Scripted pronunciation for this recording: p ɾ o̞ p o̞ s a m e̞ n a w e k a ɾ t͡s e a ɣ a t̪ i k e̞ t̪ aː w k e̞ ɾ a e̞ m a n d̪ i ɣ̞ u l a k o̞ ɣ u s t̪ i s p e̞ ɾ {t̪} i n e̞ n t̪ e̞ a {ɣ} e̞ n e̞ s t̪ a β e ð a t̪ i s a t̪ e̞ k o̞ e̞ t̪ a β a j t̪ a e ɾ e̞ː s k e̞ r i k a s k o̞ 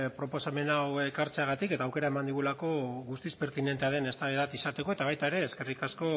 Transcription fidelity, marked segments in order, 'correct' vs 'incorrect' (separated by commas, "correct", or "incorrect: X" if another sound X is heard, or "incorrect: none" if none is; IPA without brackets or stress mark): correct, incorrect: ð